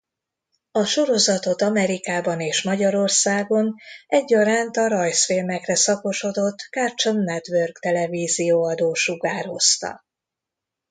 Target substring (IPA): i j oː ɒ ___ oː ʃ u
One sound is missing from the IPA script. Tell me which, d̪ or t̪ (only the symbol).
d̪